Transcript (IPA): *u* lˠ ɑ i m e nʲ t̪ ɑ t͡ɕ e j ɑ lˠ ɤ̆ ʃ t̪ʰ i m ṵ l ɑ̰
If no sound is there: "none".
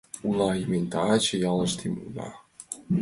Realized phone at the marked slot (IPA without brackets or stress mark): u